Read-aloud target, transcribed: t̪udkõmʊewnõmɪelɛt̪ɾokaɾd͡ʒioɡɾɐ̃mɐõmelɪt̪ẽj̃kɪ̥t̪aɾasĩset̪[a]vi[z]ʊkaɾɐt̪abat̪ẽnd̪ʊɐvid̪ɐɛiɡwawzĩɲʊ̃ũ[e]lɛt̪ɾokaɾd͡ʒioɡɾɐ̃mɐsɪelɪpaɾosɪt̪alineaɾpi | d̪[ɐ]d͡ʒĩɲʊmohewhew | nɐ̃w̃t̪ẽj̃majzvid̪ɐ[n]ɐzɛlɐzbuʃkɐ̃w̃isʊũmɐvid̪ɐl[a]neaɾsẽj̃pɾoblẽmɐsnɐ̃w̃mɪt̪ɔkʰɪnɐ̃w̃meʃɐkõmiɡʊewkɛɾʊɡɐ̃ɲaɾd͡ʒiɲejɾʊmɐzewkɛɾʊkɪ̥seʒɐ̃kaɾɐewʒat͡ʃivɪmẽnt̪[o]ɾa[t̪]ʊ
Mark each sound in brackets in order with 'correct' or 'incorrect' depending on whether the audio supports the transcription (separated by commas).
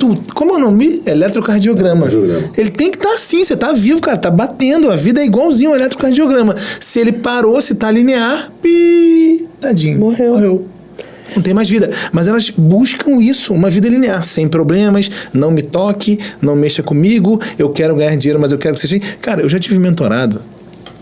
correct, incorrect, correct, incorrect, incorrect, incorrect, correct, incorrect